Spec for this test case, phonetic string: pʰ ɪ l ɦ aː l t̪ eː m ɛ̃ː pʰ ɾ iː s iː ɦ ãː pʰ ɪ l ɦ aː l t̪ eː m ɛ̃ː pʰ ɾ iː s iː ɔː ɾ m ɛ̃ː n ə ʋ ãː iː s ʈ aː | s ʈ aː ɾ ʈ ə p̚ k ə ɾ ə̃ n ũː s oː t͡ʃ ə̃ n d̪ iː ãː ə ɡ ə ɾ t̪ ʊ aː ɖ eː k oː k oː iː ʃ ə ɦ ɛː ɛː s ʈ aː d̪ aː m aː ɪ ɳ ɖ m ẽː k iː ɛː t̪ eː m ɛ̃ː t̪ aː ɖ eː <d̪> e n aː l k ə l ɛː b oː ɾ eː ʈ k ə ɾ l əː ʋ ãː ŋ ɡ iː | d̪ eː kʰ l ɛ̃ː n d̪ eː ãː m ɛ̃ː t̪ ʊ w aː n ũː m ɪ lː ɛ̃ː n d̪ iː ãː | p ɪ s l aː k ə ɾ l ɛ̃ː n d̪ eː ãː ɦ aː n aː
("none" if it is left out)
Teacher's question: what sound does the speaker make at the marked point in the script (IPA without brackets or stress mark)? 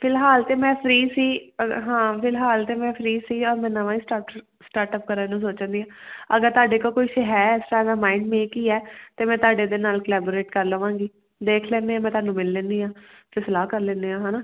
d̪